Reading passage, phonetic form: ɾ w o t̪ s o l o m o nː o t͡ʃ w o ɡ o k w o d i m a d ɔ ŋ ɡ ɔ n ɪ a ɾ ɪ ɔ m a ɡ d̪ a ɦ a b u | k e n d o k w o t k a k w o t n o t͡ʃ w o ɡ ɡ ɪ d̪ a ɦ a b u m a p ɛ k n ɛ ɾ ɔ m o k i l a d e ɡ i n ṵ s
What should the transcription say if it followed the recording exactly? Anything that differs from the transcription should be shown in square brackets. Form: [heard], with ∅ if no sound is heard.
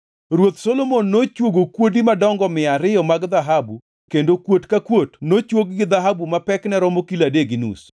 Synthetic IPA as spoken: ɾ w o t̪ s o l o m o nː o t͡ʃ w o ɡ o k w o d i m a d ɔ ŋ ɡ ɔ [m] ɪ a ɾ ɪ ɔ m a ɡ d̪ a ɦ a b u | k e n d o k w o t k a k w o t n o t͡ʃ w o ɡ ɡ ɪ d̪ a ɦ a b u m a p ɛ k n ɛ ɾ ɔ m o k i l a d e ɡ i n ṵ s